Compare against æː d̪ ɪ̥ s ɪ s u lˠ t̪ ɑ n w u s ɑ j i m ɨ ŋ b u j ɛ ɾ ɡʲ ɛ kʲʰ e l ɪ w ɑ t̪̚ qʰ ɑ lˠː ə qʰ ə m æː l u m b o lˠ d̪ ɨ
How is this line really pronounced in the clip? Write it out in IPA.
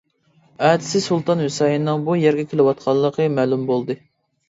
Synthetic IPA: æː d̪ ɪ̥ s ɪ s u lˠ t̪ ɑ n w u s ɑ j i n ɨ ŋ b u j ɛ ɾ ɡʲ ɛ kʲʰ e l ɪ w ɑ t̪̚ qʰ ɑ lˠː ə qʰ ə m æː l u m b o lˠ d̪ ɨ